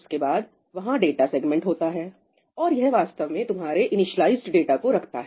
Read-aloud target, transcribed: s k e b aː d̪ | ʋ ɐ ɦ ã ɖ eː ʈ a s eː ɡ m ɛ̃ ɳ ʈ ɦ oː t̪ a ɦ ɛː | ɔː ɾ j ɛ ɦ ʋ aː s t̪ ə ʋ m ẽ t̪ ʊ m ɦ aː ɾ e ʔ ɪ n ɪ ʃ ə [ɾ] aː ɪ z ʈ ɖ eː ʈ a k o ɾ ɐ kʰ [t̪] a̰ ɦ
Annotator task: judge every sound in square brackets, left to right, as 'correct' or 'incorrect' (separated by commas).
incorrect, correct